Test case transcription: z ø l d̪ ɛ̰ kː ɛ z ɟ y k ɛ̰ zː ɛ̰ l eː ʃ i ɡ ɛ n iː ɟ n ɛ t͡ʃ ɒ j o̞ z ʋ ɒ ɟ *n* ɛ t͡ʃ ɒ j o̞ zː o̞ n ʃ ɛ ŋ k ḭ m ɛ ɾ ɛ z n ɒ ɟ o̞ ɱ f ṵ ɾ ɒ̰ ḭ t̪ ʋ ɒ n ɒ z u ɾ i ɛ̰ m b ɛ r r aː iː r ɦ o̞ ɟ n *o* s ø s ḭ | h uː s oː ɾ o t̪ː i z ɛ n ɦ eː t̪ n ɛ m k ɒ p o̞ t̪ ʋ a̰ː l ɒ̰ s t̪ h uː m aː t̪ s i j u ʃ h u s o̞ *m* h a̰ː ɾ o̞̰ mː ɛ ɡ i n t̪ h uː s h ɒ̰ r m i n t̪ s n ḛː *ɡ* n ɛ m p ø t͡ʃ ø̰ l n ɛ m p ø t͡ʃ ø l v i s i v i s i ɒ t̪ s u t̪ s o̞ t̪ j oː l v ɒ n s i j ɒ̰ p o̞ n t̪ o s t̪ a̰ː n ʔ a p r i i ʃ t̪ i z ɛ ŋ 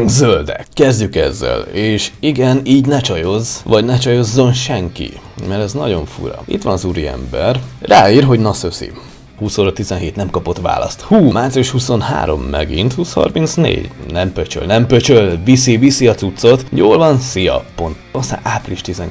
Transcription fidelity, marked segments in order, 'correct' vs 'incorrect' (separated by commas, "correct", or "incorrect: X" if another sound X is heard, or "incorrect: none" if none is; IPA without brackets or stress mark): correct, incorrect: ɒ, incorrect: n, incorrect: ɟ